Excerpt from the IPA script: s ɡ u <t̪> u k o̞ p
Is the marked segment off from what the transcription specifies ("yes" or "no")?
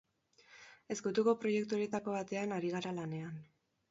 no